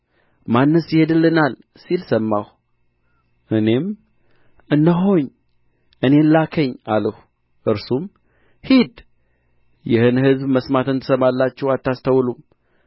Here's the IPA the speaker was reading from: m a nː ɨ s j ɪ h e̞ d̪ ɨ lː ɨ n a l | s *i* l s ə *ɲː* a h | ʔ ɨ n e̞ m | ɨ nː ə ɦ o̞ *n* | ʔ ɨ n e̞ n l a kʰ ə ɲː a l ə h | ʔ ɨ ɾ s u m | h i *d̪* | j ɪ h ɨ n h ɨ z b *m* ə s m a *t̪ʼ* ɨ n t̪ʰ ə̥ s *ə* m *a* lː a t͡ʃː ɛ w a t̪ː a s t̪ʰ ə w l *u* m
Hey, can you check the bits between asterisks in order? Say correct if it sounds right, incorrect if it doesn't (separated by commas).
correct, incorrect, incorrect, correct, correct, incorrect, correct, correct, correct